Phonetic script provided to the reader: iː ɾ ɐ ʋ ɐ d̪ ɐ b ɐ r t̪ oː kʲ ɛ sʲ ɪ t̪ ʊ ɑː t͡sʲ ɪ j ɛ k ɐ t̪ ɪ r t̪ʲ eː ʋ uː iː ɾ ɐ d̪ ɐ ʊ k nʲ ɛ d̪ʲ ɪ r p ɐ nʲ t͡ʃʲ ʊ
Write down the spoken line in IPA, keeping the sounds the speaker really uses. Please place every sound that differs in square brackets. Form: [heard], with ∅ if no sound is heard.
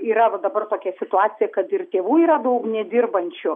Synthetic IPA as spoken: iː ɾ ɐ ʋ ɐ d̪ ɐ b ɐ r t̪ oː kʲ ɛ sʲ ɪ t̪ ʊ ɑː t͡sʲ ɪ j ɛ k ɐ t̪ ɪ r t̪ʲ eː ʋ uː iː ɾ ɐ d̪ ɐ ʊ k nʲ ɛ d̪ʲ ɪ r [b] ɐ nʲ t͡ʃʲ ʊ